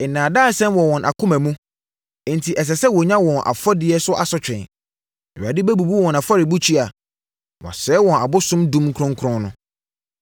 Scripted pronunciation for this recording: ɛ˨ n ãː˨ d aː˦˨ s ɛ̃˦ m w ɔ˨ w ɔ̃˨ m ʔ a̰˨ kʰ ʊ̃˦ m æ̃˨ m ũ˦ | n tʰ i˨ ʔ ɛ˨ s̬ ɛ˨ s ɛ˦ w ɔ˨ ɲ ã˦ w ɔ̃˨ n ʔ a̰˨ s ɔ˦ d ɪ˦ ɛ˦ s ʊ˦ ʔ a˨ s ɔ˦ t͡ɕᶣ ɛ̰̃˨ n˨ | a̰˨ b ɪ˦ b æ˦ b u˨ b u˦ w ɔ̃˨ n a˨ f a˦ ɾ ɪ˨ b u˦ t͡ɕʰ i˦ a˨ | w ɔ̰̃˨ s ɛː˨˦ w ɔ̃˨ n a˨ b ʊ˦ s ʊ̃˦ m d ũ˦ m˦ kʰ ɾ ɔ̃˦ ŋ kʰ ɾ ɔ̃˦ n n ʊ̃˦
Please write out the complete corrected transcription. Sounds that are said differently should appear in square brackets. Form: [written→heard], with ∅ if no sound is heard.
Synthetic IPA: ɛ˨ n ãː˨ d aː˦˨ s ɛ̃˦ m w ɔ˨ w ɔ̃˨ [m→n] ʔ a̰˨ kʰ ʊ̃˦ m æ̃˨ m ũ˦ | n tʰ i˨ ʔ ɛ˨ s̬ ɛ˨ s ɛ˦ w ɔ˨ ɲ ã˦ w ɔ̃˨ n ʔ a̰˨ [s→f] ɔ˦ d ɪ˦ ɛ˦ s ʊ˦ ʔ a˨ s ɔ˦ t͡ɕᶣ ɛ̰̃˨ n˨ | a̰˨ [b→d] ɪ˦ b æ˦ b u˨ b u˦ w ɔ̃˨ n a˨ f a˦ ɾ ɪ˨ b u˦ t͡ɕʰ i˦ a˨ | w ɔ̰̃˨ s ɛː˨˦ w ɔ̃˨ n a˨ b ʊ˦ s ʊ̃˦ m d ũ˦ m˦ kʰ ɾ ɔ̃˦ ŋ kʰ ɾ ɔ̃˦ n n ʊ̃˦